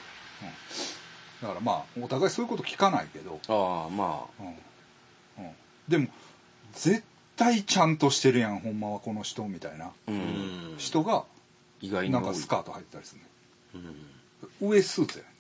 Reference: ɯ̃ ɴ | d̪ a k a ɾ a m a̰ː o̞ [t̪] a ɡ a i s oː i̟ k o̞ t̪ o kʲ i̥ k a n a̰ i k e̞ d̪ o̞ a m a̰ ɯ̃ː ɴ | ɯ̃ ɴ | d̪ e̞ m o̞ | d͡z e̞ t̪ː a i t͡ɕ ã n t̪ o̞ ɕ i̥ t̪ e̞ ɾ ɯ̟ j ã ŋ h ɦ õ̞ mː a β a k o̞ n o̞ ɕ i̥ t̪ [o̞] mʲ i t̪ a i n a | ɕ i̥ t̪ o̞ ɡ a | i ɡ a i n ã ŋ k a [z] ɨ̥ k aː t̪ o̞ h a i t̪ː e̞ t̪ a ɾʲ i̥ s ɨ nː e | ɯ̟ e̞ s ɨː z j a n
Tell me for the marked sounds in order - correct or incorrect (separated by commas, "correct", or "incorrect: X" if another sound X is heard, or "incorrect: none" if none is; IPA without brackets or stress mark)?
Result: correct, correct, incorrect: s